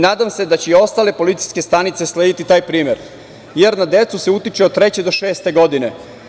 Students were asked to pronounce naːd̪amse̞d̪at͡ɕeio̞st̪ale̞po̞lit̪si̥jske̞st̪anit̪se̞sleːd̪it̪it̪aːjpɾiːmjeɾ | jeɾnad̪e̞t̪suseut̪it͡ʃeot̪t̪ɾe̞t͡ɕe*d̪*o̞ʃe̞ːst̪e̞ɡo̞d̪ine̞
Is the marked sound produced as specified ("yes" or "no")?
yes